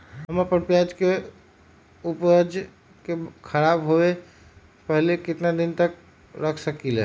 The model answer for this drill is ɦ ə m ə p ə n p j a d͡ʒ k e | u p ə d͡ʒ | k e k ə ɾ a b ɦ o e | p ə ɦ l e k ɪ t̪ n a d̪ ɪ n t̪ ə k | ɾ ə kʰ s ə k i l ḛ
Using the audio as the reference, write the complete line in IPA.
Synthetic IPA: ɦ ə m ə p ə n p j a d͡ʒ k e | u p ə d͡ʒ | k e kʰ ə ɾ a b ɦ o e | p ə ɦ l e k ɪ t̪ n a d̪ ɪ n t̪ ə k | ɾ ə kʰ s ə k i l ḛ